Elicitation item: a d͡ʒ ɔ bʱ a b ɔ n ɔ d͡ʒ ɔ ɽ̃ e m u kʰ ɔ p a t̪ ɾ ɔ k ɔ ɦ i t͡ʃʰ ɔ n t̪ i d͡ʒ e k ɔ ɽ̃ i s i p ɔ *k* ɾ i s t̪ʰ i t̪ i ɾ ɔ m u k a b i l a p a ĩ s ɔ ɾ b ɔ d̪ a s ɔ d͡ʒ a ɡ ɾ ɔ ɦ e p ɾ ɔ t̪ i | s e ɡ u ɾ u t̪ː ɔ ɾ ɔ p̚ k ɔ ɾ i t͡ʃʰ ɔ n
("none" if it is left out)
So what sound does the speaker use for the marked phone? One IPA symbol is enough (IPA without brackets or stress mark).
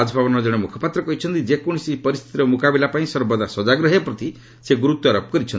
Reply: none